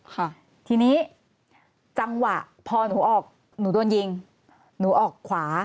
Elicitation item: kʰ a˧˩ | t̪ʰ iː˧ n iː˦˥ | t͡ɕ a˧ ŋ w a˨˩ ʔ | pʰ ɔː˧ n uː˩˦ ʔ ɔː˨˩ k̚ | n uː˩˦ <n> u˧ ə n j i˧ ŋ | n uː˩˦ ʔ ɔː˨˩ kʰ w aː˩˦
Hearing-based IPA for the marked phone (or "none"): d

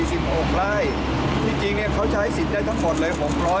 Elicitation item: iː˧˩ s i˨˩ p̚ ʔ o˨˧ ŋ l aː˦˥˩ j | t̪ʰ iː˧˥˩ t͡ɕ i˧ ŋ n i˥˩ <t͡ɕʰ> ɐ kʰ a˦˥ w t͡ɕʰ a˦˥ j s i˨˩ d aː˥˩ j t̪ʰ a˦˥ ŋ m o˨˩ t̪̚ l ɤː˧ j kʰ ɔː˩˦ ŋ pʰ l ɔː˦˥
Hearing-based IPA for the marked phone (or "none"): none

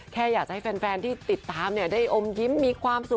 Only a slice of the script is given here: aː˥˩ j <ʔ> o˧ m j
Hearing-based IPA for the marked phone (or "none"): ʔ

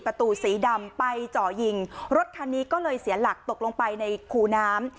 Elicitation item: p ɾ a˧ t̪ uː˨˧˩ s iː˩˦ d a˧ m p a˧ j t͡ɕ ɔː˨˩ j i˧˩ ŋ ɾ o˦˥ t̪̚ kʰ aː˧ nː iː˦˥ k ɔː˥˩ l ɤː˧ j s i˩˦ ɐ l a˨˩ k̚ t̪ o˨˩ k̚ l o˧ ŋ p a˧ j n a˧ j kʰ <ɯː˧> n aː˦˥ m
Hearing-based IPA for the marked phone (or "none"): uː˧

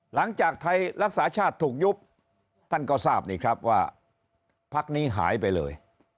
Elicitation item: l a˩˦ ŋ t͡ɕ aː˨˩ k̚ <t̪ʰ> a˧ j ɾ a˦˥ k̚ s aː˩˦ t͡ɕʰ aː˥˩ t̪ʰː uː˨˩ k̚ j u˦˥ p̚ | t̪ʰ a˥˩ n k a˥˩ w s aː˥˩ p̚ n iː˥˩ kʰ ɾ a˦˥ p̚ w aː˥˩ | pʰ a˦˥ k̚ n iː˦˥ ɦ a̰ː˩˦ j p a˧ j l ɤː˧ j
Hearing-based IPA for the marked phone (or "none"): t̪ʰ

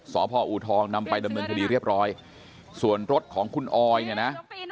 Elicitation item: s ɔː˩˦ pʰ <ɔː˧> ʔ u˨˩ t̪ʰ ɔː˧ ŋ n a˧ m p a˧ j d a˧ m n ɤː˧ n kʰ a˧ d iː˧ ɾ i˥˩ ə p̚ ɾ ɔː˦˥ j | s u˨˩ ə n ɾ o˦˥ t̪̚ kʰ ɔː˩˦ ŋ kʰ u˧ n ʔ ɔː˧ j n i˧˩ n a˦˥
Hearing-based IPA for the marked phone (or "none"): ɔː˧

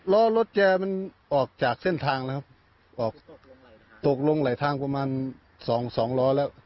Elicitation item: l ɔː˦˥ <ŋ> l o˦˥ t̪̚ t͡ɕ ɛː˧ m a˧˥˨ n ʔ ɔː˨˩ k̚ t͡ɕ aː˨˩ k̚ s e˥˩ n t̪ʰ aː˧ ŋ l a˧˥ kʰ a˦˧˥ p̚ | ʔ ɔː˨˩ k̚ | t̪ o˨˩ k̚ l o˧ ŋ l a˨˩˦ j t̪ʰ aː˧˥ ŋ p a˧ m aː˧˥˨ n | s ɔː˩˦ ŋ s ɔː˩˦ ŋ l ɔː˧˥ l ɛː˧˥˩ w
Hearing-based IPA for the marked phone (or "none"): none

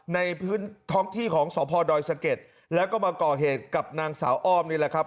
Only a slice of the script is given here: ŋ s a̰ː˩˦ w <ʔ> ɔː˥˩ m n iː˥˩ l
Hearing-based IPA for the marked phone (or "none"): ʔ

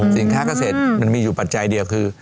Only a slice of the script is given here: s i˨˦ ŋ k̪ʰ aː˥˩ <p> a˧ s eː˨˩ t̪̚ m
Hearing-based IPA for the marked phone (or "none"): k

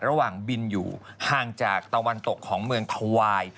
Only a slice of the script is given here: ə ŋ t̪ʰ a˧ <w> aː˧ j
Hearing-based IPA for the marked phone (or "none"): w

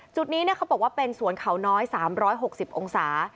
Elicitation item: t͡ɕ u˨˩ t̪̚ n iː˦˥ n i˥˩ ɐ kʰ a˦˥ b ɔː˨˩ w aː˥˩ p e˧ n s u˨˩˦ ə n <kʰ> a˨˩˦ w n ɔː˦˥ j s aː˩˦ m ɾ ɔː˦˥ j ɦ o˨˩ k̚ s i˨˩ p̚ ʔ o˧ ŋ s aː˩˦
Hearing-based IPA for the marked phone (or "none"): kʰ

